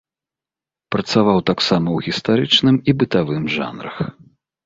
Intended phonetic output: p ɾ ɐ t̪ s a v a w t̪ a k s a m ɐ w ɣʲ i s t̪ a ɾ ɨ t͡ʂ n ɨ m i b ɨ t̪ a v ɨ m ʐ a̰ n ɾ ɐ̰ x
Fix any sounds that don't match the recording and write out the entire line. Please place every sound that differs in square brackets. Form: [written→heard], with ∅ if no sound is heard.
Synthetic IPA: p ɾ ɐ t̪ s a v a w t̪ a k s a m ɐ w ɣʲ i s t̪ a ɾ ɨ t͡ʂ n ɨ m i b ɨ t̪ a v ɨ m ʐ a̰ n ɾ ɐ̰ x